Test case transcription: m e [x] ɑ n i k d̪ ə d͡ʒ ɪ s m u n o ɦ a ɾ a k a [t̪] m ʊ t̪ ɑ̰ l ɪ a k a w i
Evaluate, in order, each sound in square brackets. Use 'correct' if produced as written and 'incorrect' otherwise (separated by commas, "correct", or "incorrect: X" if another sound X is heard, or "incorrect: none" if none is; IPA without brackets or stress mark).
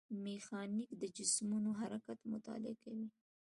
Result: correct, correct